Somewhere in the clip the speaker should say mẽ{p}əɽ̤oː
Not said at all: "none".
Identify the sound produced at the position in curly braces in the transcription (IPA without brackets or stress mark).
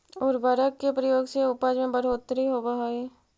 b